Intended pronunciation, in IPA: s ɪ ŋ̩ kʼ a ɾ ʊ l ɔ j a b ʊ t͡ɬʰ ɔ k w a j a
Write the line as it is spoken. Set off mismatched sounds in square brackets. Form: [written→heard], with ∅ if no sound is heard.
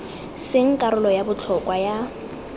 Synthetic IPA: s ɪ ŋ̩ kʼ a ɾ ʊ l ɔ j a b ʊ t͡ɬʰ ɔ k w a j a